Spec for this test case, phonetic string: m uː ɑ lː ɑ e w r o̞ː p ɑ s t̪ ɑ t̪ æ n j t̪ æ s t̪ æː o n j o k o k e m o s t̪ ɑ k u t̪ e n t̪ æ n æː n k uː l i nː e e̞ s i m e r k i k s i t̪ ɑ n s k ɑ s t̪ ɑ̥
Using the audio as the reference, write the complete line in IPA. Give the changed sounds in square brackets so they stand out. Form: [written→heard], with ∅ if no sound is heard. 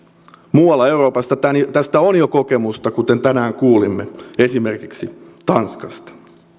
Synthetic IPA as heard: m uː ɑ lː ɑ e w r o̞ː p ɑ s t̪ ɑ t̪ æ n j t̪ æ s t̪ [æː→æ] o n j o k o k e m [o→u] s t̪ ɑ k u t̪ e n t̪ æ n æː [n→ŋ] k uː l i [nː→mː] e e̞ s i m e r k i k s i t̪ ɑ n s k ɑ s t̪ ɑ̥